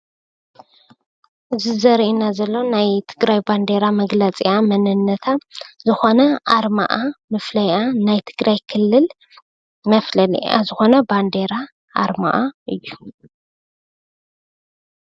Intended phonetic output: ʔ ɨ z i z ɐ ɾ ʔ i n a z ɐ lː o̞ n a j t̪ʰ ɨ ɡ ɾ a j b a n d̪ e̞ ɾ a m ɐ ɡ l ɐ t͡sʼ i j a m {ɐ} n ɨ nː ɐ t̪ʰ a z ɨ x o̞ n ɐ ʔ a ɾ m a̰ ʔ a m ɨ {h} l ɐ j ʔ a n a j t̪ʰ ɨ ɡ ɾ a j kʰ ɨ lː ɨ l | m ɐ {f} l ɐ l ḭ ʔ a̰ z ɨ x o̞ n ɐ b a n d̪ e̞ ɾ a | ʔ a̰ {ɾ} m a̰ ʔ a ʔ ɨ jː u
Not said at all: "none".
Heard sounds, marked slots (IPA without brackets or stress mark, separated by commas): ɐ, f, f, ɾ